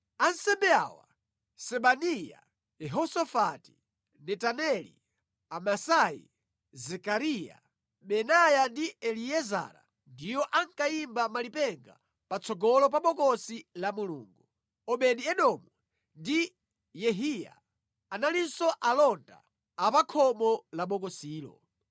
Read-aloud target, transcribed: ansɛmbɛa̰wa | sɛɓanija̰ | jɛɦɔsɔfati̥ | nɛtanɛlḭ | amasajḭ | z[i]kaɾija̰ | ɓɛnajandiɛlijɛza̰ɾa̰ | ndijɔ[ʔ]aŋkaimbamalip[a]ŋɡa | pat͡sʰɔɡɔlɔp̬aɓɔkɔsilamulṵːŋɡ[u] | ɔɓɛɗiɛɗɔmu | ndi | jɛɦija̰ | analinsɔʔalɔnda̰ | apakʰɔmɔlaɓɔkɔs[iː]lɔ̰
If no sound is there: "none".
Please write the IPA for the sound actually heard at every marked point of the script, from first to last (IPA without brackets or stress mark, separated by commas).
ɛ, ʔ, ɛ, u, iː